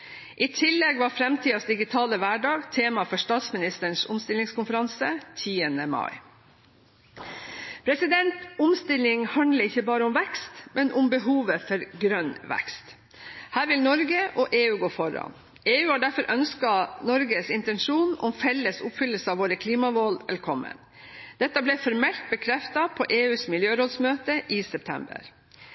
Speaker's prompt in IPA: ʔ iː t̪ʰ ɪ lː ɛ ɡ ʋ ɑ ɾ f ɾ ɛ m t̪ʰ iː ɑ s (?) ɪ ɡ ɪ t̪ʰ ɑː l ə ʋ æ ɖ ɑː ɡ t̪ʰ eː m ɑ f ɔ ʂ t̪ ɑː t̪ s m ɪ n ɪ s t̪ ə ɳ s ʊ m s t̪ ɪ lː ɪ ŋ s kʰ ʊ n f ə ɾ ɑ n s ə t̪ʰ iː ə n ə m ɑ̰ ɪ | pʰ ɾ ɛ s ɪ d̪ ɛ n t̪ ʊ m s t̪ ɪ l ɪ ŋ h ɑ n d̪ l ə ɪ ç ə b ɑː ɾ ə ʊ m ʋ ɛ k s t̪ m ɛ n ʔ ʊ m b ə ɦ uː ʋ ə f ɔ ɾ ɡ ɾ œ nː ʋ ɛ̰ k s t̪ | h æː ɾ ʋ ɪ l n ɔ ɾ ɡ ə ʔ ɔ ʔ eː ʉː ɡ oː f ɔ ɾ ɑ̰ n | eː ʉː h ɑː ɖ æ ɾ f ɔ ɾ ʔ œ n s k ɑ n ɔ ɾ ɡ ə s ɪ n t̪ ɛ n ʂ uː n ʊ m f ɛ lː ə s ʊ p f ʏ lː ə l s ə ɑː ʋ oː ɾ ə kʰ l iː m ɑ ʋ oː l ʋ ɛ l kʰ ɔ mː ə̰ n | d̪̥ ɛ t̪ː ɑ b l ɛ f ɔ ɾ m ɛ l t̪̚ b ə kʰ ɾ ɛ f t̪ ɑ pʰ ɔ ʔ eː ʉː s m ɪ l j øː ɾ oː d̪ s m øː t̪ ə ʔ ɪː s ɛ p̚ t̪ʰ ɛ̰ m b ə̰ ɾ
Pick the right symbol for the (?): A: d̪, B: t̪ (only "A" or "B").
A